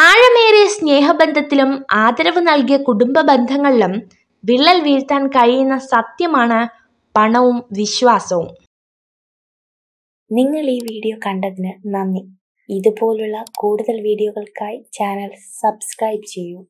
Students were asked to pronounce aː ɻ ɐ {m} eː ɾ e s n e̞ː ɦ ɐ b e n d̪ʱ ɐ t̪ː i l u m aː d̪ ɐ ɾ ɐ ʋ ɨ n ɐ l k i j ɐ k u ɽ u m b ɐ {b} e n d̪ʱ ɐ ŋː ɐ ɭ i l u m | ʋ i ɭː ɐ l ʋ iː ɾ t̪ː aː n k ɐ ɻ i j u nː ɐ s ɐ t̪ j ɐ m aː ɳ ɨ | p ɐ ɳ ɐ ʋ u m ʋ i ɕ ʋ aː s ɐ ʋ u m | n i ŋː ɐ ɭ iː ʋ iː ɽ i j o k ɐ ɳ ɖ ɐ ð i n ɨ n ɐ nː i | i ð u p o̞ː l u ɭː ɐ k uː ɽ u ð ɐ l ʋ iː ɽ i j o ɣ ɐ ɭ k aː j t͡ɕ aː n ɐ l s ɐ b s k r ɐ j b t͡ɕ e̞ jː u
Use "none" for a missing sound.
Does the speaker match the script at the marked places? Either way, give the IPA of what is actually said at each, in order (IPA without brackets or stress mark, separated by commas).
m, b